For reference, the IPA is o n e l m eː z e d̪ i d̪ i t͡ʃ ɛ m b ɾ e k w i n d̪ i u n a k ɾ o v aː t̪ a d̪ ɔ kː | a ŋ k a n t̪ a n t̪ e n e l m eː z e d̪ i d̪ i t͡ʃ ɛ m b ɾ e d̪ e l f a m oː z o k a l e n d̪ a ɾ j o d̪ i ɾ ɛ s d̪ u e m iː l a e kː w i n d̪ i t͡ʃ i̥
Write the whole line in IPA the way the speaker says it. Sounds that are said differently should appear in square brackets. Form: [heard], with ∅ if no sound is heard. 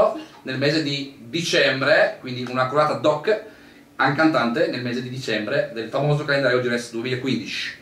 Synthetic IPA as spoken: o n e l m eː z e d̪ i d̪ i t͡ʃ ɛ m b ɾ e k w i n d̪ i u n a k ɾ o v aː t̪ a d̪ ɔ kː | a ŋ k a n t̪ a n t̪ e n e l m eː z e d̪ i d̪ i t͡ʃ ɛ m b ɾ e d̪ e l f a m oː z o k a l e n d̪ a ɾ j o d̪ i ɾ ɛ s d̪ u e m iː l a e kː w i n d̪ i t͡ʃ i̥